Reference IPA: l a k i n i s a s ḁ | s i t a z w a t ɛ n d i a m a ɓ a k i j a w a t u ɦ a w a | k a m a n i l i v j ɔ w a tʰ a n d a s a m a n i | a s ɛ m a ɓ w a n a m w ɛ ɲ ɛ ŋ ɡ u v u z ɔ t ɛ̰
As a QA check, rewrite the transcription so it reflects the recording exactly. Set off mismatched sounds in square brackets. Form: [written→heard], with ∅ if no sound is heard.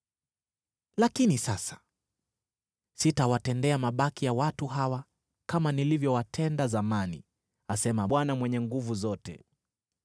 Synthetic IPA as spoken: l a k i n i s a s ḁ | s i t a [z→∅] w a t ɛ n d [i→ɛ] a m a ɓ a k i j a w a t u ɦ a w a | k a m a n i l i v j ɔ w a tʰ [a→ɛ] n d a [s→z] a m a n i | a s ɛ m a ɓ w a n a m w ɛ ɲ ɛ ŋ ɡ u v u z ɔ t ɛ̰

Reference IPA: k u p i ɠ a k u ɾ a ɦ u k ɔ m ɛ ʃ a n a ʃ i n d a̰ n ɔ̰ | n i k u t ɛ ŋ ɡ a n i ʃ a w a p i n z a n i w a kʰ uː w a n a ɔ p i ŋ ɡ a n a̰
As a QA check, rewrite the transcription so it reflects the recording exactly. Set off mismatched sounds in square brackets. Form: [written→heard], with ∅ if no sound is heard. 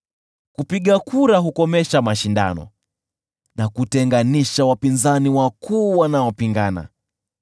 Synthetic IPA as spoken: k u p i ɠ a k u ɾ a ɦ u k ɔ m ɛ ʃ a [n→m] a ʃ i n d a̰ n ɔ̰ | n [i→a] k u t ɛ ŋ ɡ a n i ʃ a w a p i n z a n i w a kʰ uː w a n a ɔ p i ŋ ɡ a n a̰

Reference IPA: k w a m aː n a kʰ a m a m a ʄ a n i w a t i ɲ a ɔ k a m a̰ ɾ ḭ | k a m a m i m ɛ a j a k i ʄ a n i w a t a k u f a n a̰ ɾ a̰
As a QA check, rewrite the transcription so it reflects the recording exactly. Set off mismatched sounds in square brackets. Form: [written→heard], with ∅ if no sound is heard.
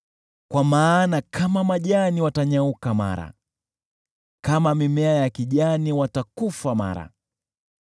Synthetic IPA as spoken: k w a m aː n a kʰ a m a m a ʄ a n i w a t [i→a] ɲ a [ɔ→u] k a m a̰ ɾ [ḭ→a̰] | k a m a m i m ɛ a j a k i ʄ a n i w a t a k u f a [n→m] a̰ ɾ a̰

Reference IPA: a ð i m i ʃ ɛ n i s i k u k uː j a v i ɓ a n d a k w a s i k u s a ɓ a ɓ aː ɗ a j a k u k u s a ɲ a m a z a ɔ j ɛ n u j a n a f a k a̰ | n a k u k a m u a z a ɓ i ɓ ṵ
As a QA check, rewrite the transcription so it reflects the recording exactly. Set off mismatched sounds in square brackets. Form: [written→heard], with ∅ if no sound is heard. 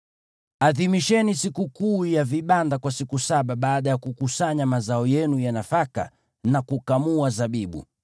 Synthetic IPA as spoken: a ð i m i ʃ ɛ n i s i k u k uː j a v i ɓ a n d a k w a s i k u s a ɓ a ɓ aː ɗ a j a k u k u s a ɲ a m a z a ɔ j ɛ n u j a n a f a k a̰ | n a k u k a m u a z a ɓ i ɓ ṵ

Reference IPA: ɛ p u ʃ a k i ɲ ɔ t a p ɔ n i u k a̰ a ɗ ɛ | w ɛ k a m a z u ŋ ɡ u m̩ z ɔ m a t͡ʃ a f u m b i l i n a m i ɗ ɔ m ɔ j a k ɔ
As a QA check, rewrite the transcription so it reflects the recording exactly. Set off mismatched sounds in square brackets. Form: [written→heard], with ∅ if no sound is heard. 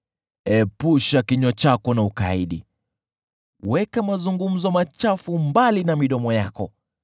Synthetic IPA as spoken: ɛ p u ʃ a k i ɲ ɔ [t→t͡ʃ] a [p→k] ɔ n [i→a] u k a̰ [a→i] ɗ [ɛ→i] | w ɛ k a m a z u ŋ ɡ u m̩ z ɔ m a t͡ʃ a f u m b [i→a] l i n a m i ɗ ɔ m ɔ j a k ɔ

